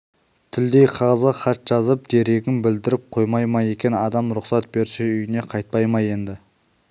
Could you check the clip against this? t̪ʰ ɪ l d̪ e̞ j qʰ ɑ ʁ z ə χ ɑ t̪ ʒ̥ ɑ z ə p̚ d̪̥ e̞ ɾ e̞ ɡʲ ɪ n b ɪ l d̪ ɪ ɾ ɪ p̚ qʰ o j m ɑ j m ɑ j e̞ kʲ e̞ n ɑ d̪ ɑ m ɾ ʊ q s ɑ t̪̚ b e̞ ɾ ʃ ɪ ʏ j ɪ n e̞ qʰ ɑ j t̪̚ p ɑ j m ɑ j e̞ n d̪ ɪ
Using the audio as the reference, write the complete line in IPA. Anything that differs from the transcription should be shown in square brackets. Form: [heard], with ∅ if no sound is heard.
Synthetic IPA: t̪ʰ ɪ l d̪ e̞ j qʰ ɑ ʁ z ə χ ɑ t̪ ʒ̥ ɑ z ə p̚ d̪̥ e̞ ɾ e̞ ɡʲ ɪ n b ɪ l d̪ ɪ ɾ ɪ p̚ qʰ o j m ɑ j m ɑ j e̞ kʲ e̞ n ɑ d̪ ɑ m ɾ ʊ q s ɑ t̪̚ b e̞ ɾ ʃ ɪ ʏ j ɪ n e̞ qʰ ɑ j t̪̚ p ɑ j m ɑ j e̞ n d̪ ɪ